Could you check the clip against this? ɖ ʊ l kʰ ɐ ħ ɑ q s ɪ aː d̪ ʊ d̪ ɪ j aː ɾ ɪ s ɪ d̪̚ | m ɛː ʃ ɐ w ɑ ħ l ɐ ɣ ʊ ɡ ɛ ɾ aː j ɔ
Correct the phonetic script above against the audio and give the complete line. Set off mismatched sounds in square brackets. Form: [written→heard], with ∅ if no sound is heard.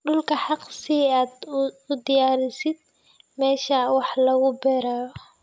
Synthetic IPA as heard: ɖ ʊ l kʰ ɐ ħ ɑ q s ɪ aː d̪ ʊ d̪ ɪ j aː ɾ ɪ s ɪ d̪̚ | m ɛː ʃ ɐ w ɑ ħ l ɐ ɣ ʊ [ɡ→b] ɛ ɾ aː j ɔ